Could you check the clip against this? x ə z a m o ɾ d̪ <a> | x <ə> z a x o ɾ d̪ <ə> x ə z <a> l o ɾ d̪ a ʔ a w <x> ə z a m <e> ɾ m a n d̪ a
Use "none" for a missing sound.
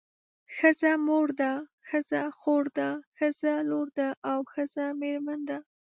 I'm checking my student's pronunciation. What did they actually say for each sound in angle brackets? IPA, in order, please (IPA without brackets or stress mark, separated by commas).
a, ə, a, a, x, e